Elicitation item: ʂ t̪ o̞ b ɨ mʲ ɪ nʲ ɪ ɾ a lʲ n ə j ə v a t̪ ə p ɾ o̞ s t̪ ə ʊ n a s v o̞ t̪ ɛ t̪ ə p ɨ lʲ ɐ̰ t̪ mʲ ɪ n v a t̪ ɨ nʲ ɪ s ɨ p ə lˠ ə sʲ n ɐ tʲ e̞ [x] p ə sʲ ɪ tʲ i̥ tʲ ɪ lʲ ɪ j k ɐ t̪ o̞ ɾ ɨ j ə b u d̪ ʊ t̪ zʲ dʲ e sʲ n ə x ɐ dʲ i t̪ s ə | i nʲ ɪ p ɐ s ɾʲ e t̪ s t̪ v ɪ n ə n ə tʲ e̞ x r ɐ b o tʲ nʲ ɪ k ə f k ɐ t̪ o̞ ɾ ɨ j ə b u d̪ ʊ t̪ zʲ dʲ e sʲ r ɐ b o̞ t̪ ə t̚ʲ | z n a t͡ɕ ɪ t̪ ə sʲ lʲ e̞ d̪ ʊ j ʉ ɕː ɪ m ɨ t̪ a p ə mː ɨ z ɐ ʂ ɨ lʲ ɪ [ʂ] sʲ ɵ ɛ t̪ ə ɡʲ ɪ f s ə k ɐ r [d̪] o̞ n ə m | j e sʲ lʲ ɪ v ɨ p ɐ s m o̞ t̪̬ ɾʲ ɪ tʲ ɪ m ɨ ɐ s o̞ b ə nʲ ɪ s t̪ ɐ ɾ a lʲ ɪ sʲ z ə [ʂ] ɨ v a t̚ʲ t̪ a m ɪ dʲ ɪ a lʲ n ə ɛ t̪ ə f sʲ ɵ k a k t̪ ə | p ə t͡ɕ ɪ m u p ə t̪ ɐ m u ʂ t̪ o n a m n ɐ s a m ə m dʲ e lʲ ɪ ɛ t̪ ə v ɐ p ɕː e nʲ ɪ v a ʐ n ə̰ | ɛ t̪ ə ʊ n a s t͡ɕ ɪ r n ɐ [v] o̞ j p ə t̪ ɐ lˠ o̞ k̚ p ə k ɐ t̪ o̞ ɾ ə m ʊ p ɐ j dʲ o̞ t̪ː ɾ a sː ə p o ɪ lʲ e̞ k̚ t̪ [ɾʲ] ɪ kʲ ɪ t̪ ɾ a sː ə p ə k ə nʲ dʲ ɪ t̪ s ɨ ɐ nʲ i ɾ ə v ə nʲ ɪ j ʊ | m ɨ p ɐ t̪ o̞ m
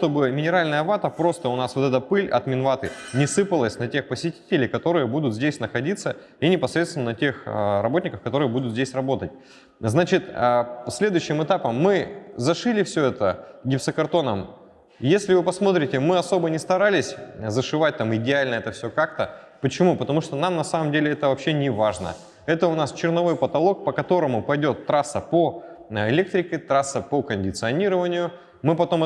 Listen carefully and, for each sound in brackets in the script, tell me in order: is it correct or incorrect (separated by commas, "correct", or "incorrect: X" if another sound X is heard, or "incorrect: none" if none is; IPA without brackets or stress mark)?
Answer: correct, incorrect: f, incorrect: t̪, correct, correct, correct